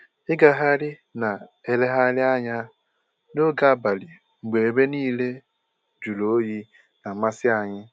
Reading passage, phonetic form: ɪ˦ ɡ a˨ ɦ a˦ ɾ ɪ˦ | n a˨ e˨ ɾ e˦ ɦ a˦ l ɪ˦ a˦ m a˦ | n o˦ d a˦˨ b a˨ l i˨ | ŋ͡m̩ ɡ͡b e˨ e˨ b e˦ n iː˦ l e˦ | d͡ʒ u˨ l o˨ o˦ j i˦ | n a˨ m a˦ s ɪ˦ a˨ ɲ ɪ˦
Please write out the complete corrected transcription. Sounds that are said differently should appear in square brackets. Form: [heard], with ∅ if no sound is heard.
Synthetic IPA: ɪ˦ ɡ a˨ ɦ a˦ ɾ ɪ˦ | n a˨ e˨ [l] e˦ ɦ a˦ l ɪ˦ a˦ [ɲ] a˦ | n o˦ [ɡ] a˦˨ b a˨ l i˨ | ŋ͡m̩ ɡ͡b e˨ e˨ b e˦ n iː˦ l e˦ | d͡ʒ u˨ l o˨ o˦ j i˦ | n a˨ m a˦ s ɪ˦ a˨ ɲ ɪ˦